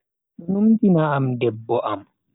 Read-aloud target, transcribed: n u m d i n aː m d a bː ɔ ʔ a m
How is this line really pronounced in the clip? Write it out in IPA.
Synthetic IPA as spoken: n u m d i n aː m d ɛ bː ɔ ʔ a m